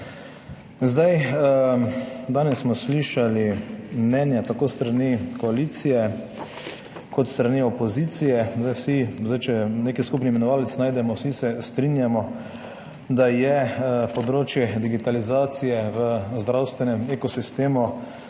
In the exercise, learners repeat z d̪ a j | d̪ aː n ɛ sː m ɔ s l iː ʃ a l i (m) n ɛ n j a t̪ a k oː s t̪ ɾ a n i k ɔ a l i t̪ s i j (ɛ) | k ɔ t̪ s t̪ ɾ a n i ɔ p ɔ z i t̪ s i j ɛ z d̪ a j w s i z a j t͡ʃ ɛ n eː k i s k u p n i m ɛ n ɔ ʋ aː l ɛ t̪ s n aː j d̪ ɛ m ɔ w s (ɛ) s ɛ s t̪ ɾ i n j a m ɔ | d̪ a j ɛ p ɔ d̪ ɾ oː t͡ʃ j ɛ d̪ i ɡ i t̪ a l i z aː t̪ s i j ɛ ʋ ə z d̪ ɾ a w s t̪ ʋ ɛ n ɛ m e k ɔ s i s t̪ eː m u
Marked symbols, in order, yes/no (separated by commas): yes, yes, no